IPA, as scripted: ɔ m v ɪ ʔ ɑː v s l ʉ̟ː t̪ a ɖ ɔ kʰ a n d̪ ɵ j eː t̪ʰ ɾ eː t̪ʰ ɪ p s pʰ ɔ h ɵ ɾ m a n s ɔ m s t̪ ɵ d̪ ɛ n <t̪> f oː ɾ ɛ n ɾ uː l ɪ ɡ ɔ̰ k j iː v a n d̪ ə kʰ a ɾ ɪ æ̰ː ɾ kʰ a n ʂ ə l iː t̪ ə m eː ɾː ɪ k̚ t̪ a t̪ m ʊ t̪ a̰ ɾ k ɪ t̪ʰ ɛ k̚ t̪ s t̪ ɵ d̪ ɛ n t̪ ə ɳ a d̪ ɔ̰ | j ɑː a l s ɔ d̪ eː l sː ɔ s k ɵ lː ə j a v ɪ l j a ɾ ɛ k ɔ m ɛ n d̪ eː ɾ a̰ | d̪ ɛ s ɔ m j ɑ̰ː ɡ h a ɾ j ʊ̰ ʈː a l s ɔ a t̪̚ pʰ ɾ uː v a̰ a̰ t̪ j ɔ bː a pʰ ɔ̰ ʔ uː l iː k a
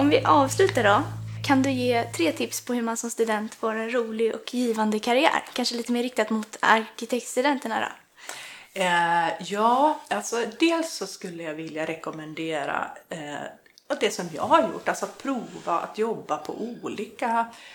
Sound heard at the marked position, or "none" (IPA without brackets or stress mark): t̪